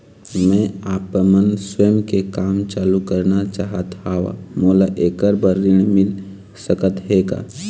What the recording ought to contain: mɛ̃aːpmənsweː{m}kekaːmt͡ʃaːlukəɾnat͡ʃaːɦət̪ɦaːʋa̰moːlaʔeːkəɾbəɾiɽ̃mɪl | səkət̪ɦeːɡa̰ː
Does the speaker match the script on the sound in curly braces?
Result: yes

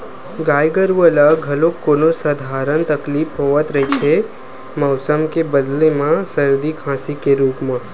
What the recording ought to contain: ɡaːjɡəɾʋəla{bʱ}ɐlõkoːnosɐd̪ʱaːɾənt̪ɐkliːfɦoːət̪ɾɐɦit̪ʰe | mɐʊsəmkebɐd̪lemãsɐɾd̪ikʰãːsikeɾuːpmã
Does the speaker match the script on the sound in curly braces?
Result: no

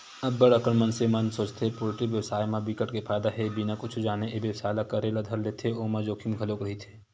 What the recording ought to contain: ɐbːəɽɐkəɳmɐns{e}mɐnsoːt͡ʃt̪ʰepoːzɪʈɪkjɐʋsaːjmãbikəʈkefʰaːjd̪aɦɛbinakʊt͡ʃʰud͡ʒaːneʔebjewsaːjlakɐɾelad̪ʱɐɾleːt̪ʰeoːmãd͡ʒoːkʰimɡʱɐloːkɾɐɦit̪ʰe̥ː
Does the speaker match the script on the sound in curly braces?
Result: yes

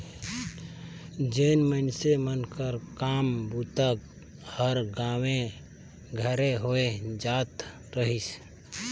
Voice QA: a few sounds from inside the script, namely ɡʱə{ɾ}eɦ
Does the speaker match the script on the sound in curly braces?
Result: yes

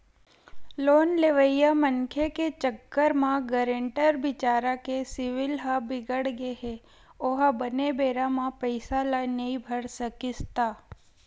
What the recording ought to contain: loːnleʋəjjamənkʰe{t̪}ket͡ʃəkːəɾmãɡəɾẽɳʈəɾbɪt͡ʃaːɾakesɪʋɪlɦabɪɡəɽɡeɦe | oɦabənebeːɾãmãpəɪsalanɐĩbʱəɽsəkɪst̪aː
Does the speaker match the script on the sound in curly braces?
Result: no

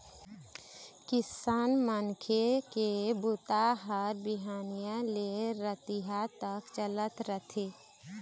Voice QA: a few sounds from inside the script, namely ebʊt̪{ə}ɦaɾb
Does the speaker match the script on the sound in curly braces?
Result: no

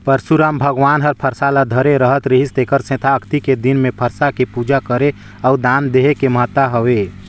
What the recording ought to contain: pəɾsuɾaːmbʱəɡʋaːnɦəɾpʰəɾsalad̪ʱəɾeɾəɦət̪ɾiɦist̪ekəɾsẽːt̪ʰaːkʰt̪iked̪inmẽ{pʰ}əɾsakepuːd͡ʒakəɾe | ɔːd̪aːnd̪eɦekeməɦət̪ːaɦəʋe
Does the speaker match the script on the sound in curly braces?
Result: yes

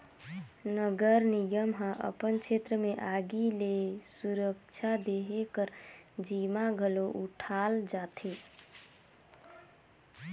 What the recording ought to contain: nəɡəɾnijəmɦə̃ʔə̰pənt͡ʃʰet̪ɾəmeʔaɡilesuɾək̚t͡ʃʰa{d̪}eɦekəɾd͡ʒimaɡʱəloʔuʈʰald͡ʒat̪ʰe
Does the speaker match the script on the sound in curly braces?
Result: yes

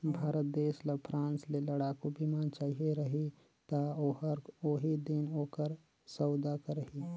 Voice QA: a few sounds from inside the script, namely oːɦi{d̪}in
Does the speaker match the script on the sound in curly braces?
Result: yes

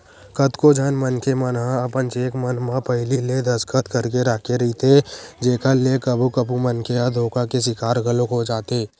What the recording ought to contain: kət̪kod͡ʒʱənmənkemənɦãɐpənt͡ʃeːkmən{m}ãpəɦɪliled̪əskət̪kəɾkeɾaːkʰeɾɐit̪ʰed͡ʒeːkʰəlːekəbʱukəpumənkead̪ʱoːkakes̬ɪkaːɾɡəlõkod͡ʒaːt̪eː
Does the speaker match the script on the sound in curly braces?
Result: yes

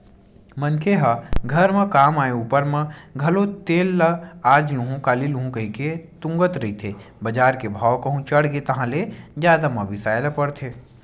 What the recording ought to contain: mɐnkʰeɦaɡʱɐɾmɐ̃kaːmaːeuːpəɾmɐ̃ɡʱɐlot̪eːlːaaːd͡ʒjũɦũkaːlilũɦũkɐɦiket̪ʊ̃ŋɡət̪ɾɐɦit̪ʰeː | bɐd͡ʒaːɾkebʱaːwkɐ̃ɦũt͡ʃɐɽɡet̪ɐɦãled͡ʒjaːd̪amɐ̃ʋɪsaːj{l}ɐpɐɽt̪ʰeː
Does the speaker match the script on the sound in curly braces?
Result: yes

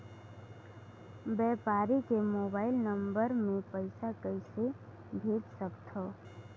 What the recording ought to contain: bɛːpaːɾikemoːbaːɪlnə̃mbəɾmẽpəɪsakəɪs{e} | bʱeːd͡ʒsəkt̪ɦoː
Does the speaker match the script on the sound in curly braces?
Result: yes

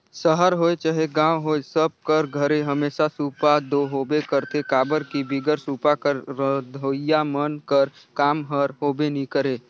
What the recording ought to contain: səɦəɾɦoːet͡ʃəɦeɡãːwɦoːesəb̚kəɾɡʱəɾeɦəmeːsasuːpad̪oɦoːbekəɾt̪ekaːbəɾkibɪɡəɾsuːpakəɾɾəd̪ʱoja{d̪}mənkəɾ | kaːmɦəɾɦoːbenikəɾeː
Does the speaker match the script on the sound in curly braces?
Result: no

